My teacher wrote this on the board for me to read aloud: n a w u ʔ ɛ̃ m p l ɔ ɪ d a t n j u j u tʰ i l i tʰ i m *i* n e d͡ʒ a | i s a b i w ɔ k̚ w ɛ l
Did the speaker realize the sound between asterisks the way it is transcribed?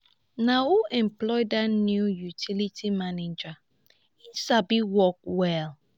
no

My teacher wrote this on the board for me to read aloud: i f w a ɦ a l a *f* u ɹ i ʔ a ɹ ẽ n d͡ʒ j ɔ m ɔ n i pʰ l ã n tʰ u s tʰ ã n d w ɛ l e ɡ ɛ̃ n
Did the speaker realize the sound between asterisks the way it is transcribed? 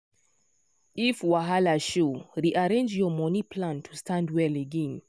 no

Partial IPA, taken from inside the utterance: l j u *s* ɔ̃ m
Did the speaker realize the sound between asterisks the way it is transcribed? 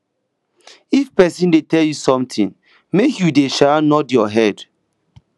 yes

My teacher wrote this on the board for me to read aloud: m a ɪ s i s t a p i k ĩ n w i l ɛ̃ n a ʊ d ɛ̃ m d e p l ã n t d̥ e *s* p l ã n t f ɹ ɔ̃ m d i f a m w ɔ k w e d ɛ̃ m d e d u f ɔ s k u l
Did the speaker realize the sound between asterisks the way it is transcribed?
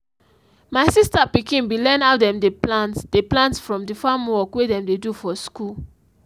no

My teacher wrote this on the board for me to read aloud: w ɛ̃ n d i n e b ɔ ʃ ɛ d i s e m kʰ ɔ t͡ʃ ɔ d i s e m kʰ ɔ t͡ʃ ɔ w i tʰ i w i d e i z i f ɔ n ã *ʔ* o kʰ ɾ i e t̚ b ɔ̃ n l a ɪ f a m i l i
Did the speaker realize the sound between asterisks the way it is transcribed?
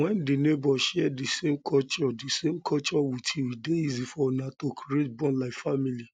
no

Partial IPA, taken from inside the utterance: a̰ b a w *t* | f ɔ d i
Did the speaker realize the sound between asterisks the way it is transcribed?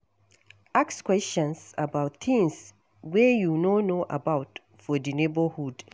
yes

